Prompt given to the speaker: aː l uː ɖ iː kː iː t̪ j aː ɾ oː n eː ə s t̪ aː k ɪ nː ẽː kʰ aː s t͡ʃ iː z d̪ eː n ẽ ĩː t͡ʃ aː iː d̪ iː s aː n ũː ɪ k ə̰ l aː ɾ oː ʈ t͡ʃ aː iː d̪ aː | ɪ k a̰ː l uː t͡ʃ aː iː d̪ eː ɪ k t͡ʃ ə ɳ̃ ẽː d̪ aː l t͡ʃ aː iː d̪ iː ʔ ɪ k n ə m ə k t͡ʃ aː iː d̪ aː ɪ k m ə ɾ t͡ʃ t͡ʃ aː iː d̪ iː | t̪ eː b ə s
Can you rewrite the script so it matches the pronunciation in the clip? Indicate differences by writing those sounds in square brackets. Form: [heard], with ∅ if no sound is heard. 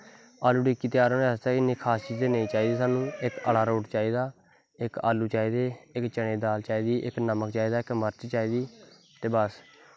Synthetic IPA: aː l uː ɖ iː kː iː t̪ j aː ɾ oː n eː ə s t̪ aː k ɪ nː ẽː kʰ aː s t͡ʃ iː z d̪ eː n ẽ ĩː t͡ʃ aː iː d̪ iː s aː n ũː ɪ k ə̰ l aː ɾ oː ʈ t͡ʃ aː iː d̪ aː | ɪ k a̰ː l uː t͡ʃ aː iː d̪ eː ɪ k t͡ʃ ə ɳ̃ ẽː d̪ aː l t͡ʃ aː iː d̪ iː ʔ ɪ k n ə m ə k t͡ʃ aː iː d̪ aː ɪ k m ə ɾ t͡ʃ t͡ʃ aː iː d̪ iː | t̪ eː b ə s